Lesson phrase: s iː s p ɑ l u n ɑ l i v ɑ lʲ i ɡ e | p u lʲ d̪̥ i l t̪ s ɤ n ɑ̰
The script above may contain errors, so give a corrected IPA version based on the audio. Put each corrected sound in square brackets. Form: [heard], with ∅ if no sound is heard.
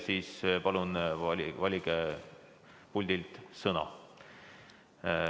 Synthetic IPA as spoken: s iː s p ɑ l u n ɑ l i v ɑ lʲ i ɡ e | p u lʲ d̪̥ i l t̪ s ɤ n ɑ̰